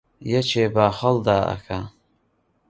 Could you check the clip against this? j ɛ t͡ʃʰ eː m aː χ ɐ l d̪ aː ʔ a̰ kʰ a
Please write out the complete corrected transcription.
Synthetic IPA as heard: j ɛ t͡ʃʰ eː b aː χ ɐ l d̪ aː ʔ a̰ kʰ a